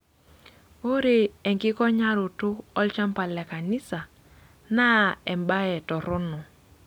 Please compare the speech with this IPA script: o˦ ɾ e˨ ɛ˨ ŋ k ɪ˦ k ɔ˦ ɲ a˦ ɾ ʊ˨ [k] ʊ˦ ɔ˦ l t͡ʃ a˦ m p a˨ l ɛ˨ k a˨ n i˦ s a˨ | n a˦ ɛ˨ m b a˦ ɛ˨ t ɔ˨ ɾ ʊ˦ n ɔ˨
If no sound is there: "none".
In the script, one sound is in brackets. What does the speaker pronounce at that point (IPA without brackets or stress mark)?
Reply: t